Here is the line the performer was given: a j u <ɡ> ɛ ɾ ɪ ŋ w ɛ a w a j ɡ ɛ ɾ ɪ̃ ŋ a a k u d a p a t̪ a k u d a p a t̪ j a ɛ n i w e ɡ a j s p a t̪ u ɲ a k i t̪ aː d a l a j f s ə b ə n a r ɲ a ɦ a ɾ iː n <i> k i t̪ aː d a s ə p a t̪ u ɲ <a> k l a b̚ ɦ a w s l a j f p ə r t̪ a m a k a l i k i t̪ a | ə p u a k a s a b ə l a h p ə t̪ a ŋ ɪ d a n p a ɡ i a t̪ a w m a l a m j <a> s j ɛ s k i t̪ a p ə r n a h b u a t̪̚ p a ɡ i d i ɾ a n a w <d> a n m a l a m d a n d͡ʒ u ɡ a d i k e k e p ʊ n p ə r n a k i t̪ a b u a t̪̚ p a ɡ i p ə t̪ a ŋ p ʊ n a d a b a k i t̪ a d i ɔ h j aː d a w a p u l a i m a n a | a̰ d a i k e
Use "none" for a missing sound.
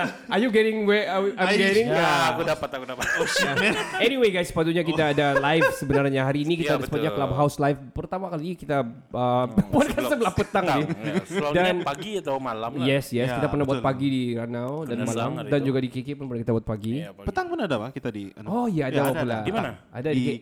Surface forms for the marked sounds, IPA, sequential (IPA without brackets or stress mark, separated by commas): ɡ, i, a, ɛ, d